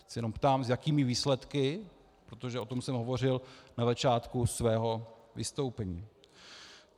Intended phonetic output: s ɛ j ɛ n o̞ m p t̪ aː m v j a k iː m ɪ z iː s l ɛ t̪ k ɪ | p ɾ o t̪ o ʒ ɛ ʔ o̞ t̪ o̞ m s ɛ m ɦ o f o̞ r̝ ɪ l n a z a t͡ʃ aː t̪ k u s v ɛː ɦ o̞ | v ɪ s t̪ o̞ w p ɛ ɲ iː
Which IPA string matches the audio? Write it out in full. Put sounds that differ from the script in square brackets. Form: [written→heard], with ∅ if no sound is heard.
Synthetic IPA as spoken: s ɛ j ɛ n o̞ m p t̪ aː m [v→z] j a k iː m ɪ [z→v] iː s l ɛ t̪ k ɪ | p ɾ o t̪ o ʒ ɛ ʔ o̞ t̪ o̞ m s ɛ m ɦ o [f→v] o̞ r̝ ɪ l n a z a t͡ʃ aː t̪ k u s v ɛː ɦ o̞ | v ɪ s t̪ o̞ w p ɛ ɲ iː